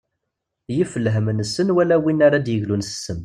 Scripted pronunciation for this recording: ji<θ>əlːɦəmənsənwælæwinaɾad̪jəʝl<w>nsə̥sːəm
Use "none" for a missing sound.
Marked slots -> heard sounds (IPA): f, u

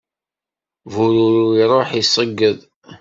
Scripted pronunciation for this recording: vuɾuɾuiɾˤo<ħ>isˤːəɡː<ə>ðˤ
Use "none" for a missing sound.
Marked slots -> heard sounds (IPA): ħ, ə

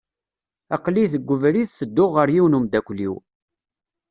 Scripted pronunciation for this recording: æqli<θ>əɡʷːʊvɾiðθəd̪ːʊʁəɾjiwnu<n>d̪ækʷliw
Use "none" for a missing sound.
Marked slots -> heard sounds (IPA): θ, m

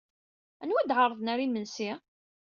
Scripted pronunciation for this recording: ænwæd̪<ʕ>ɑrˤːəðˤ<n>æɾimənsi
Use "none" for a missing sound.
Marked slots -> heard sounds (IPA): ʕ, n

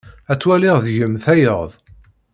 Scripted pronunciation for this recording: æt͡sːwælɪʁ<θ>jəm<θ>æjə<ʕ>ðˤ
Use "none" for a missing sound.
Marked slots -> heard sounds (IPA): ð, θ, ʁ

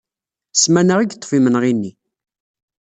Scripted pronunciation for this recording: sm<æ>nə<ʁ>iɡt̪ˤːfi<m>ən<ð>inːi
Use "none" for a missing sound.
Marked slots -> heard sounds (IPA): æ, ʁ, m, ʁ

